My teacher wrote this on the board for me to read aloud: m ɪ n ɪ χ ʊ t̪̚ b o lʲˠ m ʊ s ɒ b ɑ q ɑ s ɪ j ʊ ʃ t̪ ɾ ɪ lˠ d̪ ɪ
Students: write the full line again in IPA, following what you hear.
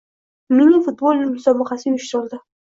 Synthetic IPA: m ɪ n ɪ f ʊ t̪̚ b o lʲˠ m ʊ s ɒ b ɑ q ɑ s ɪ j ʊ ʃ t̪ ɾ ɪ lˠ d̪ ɪ